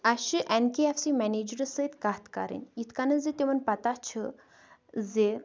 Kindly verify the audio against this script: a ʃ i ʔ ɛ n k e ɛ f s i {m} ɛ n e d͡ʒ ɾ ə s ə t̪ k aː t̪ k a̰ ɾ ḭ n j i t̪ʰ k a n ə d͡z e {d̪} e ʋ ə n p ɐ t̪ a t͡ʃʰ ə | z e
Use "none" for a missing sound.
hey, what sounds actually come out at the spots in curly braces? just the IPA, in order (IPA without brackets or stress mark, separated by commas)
m, t̪